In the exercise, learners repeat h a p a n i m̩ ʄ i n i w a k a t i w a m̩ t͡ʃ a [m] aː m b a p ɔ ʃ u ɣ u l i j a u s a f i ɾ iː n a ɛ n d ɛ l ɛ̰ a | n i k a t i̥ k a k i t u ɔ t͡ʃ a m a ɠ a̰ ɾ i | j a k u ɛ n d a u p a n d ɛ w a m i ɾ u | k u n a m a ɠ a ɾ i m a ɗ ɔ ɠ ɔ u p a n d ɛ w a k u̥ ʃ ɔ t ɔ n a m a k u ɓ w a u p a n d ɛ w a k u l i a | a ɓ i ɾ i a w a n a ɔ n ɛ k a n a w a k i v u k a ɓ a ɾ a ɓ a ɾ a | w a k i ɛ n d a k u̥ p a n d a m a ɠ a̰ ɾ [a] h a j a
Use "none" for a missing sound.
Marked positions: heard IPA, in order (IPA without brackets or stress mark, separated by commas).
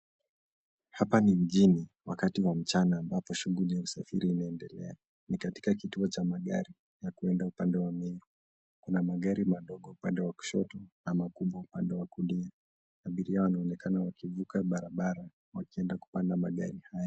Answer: n, i